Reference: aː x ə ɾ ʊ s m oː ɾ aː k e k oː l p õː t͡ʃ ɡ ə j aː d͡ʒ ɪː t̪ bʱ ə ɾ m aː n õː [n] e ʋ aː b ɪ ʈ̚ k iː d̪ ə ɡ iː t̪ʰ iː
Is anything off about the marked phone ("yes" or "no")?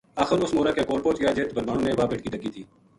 no